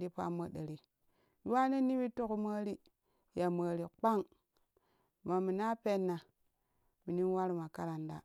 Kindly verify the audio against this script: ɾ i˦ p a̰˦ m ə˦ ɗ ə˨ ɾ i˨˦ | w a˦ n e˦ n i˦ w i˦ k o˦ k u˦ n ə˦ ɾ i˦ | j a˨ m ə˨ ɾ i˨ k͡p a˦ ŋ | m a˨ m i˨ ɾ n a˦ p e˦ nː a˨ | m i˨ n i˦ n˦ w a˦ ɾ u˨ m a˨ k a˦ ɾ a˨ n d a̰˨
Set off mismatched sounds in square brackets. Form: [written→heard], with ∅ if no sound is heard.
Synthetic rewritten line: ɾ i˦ p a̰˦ m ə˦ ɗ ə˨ ɾ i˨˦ | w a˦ n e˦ n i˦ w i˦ [k→t] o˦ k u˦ [n→m] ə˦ ɾ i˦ | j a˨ m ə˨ ɾ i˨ k͡p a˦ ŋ | m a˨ m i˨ [ɾ→∅] n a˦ p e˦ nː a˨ | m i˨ n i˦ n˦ w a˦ ɾ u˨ m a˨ k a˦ ɾ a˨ n d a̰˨